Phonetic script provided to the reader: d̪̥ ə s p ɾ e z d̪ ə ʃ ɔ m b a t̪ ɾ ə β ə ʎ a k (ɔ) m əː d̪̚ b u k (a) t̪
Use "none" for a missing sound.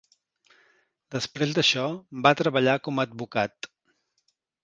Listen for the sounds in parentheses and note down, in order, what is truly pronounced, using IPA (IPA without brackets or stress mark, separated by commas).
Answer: ɔ, a